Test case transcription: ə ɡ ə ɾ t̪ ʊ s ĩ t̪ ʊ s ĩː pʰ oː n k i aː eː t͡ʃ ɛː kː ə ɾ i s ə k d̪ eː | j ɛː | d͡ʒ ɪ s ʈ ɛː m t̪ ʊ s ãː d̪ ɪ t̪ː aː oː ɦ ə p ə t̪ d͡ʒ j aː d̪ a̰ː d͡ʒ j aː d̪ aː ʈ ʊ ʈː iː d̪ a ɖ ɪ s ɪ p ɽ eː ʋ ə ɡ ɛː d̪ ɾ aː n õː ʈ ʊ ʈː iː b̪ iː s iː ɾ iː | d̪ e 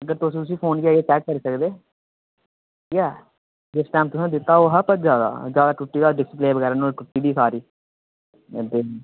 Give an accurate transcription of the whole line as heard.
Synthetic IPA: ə ɡ ə ɾ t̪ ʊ s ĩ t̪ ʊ s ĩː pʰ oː n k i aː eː t͡ʃ ɛː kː ə ɾ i s ə k d̪ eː | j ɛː | d͡ʒ ɪ s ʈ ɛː m t̪ ʊ s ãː d̪ ɪ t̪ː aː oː ɦ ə p ə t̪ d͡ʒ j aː d̪ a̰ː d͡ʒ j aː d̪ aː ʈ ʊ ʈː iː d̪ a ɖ ɪ s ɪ p l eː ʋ ə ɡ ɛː ɾ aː n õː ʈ ʊ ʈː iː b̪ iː s aː ɾ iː | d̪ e